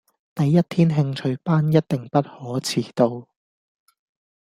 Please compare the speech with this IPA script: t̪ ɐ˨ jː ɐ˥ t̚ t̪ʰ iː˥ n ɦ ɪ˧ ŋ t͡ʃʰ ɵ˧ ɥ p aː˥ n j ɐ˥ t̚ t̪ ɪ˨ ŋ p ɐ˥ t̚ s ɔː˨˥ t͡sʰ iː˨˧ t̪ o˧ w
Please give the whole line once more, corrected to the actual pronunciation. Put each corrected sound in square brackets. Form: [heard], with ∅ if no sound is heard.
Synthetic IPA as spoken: t̪ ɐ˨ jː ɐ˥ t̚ t̪ʰ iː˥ n ɦ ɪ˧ ŋ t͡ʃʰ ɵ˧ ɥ p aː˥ n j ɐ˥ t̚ t̪ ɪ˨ ŋ p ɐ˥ t̚ [h] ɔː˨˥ t͡sʰ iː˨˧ t̪ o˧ w